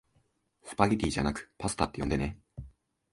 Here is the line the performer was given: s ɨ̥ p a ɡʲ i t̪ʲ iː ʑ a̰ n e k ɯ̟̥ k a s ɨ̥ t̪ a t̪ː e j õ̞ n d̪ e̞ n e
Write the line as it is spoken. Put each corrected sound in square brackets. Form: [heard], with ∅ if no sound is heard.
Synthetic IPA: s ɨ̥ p a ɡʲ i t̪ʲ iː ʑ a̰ n [a] k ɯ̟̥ [p] a s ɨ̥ t̪ a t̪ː e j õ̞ n d̪ e̞ n e